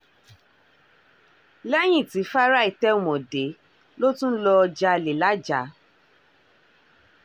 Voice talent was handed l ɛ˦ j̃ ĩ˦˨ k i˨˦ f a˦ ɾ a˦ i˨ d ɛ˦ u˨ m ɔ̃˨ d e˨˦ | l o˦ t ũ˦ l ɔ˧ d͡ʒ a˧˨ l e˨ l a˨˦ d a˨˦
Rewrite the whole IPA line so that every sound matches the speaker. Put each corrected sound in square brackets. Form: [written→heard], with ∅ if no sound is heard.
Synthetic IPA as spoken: l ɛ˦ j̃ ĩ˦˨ [k→t] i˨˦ f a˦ ɾ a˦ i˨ [d→t] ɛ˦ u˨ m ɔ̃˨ d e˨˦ | l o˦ t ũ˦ l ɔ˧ d͡ʒ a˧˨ l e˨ l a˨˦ [d→d͡ʒ] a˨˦